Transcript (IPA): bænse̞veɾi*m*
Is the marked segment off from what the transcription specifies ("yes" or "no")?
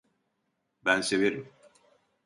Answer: no